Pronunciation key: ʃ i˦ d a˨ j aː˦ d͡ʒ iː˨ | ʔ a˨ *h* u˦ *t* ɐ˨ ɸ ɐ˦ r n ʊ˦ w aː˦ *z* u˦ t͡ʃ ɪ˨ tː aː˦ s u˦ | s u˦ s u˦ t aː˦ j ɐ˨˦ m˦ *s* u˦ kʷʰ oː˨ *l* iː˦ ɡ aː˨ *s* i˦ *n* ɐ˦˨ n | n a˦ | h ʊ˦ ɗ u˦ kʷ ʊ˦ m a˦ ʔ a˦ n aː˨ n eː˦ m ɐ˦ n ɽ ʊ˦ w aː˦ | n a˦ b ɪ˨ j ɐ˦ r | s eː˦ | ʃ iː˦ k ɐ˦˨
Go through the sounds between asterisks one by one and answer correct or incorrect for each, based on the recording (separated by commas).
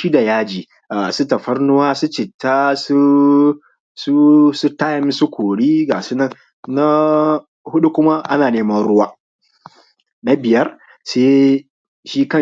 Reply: incorrect, correct, incorrect, correct, incorrect, correct, correct